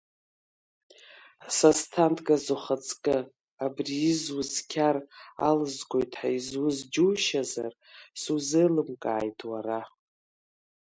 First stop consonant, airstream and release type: aspirated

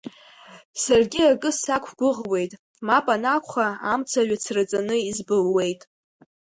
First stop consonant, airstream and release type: plain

